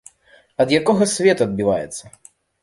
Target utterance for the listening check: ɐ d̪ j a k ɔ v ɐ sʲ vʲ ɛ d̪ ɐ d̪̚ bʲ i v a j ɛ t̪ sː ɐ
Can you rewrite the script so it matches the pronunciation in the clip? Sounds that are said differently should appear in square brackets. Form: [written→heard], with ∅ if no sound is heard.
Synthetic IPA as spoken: ɐ d̪ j a k ɔ [v→ɣ] ɐ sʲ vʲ ɛ [d̪→t̪] ɐ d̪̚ bʲ i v a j ɛ t̪ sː ɐ